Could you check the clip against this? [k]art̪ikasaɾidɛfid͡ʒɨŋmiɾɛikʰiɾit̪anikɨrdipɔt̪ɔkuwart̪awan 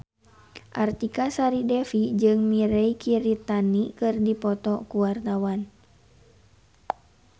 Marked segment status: incorrect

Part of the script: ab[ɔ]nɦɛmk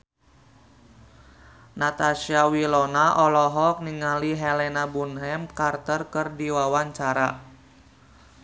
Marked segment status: incorrect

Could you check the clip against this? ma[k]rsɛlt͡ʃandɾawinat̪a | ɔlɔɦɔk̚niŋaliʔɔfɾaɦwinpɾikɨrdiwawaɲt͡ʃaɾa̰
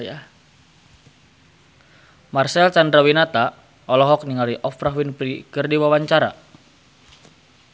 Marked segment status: incorrect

